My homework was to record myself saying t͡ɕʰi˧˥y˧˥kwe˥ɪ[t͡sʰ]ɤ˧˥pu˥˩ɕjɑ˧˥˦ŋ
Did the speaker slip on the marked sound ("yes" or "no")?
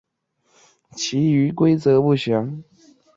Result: yes